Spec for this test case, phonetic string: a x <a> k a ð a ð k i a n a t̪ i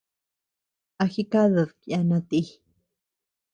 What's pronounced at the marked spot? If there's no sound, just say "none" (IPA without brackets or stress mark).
i